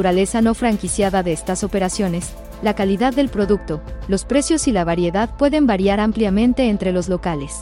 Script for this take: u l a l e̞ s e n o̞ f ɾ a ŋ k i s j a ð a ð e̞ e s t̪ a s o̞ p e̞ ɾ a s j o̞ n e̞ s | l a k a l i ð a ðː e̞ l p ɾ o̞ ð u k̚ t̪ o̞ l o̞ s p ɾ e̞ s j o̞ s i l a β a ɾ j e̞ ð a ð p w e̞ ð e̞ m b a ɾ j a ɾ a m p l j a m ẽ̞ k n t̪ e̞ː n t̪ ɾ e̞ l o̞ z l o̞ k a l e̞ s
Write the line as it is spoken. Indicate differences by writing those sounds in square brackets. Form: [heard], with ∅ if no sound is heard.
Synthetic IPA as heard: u [ɾ] a l e̞ s [a] n o̞ f ɾ a ŋ k i s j a ð a ð e̞ e s t̪ a s o̞ p e̞ ɾ a s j o̞ n e̞ s | l a k a l i ð a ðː e̞ l p ɾ o̞ ð u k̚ t̪ o̞ l o̞ s p ɾ e̞ s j o̞ s i l a β a ɾ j e̞ ð a ð p w e̞ ð e̞ m b a ɾ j a ɾ a m p l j a m ẽ̞ [∅] n t̪ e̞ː n t̪ ɾ e̞ l o̞ z l o̞ k a l e̞ s